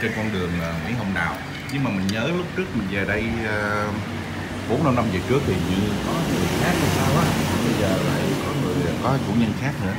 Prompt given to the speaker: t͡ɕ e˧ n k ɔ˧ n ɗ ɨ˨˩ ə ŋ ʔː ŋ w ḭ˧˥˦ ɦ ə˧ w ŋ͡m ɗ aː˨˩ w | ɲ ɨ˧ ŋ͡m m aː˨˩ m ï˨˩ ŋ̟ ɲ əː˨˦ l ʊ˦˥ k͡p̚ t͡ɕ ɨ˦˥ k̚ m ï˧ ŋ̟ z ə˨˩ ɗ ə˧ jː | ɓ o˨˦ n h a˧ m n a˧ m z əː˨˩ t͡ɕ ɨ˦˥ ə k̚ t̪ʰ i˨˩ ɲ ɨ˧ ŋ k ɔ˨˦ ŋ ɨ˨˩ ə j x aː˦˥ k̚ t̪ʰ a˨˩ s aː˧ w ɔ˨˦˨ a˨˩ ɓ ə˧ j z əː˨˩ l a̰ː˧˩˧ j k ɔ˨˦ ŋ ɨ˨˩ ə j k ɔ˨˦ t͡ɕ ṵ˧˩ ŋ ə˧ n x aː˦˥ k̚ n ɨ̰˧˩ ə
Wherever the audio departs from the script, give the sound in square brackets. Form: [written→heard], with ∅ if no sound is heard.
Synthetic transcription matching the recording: t͡ɕ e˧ n k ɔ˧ n ɗ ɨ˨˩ ə ŋ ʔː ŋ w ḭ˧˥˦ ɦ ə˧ w ŋ͡m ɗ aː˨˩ w | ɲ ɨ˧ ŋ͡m m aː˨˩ m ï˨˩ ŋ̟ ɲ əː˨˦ l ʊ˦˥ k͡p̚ t͡ɕ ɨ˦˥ k̚ m [ï˧→ï˨˩] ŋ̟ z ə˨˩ ɗ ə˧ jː | ɓ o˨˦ n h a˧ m n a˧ m z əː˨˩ t͡ɕ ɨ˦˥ ə k̚ t̪ʰ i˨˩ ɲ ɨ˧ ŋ k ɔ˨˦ ŋ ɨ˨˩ ə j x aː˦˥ k̚ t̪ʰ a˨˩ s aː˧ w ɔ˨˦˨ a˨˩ ɓ ə˧ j z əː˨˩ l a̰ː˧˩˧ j k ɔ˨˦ ŋ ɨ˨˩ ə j k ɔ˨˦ t͡ɕ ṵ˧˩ [ŋ→ɲ] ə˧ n x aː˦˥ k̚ n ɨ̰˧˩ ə

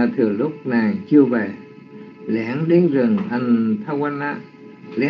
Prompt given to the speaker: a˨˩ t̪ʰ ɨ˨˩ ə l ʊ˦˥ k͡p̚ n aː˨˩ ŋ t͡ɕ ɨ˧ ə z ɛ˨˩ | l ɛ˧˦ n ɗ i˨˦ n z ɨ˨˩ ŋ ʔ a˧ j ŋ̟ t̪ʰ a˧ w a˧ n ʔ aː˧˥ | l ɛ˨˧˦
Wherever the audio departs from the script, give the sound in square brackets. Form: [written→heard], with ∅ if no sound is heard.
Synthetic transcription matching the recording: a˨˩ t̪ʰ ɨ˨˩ ə l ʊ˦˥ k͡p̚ n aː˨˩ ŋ t͡ɕ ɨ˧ ə [z→v] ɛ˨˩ | l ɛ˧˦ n ɗ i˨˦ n z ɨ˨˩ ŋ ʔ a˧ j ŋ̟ t̪ʰ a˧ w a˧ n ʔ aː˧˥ | l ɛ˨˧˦

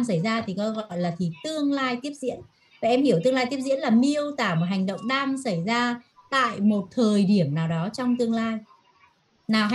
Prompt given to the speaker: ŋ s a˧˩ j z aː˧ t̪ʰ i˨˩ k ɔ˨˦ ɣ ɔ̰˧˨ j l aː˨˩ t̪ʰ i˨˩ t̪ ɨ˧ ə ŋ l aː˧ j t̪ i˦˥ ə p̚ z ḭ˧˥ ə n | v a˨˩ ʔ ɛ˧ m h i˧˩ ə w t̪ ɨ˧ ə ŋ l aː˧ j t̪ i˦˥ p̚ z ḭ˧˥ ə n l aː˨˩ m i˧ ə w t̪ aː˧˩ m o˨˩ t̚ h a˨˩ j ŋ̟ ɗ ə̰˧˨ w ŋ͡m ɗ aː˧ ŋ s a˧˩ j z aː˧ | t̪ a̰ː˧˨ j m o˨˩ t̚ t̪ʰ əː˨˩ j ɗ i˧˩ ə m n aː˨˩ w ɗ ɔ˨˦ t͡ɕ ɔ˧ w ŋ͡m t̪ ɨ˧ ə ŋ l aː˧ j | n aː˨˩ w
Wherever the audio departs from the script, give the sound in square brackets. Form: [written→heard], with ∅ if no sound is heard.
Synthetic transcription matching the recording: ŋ s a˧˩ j z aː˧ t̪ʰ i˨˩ k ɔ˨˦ ɣ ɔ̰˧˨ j l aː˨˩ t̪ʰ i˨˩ t̪ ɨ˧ ə ŋ l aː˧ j t̪ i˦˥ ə p̚ z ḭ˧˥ ə n | v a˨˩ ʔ ɛ˧ m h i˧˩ ə w t̪ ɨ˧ ə ŋ l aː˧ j t̪ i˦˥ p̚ z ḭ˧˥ ə n l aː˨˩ m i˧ ə w t̪ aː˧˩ m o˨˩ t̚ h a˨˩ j ŋ̟ ɗ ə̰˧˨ w ŋ͡m ɗ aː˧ ŋ s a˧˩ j z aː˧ | t̪ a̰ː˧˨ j m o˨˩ t̚ t̪ʰ əː˨˩ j ɗ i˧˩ ə m n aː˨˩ w ɗ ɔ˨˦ t͡ɕ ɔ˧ w ŋ͡m t̪ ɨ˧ ə ŋ l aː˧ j | n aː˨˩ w

